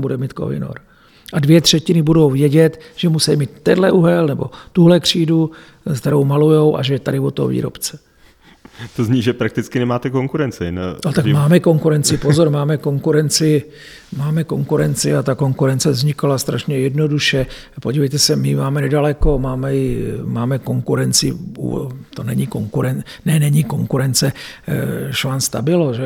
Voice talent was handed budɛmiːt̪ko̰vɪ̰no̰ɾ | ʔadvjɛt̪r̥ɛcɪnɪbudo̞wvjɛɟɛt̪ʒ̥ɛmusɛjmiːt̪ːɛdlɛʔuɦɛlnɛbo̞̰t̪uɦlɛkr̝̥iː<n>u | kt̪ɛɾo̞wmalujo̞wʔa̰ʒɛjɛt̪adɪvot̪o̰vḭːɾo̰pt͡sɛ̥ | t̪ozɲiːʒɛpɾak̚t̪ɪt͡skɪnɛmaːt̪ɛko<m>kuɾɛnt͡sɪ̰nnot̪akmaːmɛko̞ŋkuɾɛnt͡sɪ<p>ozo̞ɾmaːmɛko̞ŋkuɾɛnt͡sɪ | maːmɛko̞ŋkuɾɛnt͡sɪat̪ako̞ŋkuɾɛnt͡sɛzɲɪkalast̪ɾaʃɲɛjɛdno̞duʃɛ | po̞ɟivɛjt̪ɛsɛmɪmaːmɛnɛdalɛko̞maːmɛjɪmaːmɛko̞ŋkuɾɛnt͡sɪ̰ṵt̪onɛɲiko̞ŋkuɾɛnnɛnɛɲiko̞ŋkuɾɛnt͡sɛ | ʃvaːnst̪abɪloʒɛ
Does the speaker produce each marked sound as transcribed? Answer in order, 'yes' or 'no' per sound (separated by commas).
no, no, yes